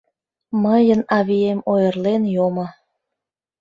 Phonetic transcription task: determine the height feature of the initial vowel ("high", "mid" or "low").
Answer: mid